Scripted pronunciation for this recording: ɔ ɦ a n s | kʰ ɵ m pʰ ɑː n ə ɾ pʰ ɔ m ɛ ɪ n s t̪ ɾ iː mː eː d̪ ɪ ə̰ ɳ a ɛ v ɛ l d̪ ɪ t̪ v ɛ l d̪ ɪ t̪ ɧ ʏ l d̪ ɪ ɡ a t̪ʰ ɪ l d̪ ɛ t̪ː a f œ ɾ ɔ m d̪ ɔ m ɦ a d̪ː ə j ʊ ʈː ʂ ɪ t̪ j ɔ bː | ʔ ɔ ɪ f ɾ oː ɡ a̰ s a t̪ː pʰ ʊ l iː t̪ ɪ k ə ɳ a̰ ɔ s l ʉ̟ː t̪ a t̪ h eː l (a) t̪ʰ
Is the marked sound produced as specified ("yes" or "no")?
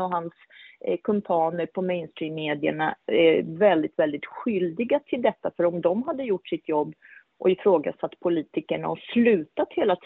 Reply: yes